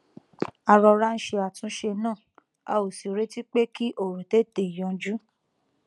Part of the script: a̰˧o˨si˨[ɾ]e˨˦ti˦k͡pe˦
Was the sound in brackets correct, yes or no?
yes